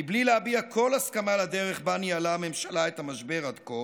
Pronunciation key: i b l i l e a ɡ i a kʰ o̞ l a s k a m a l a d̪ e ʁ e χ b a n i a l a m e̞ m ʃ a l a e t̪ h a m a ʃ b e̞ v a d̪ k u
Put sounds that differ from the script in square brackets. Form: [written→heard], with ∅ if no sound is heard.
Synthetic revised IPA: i b l i l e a [ɡ→b] i a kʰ o̞ l a s k a m a l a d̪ e ʁ e χ b a n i a l a m e̞ m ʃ a l a e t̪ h a m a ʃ b e̞ [v→ʁ] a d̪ k [u→o]